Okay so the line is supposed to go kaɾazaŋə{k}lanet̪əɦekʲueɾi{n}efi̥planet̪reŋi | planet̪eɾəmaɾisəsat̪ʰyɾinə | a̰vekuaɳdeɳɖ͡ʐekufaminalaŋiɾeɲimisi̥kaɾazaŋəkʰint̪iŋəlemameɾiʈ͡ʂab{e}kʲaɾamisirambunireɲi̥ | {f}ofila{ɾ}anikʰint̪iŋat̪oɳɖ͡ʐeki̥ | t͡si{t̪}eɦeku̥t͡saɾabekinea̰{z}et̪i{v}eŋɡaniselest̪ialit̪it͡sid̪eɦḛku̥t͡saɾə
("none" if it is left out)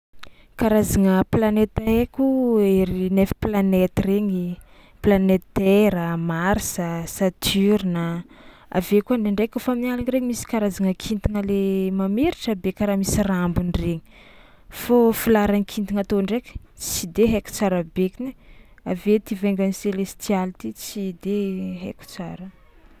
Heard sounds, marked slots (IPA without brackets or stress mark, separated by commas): p, n, e, f, ɾ, d̪, v, v